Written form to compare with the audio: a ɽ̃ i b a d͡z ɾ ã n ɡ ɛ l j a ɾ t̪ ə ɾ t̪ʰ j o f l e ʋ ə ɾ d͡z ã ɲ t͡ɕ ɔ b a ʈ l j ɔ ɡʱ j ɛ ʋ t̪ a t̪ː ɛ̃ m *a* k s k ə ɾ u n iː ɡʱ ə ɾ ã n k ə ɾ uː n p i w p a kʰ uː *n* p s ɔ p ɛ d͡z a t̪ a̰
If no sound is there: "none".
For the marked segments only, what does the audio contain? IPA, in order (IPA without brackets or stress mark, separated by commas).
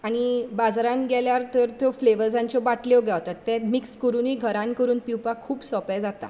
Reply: i, none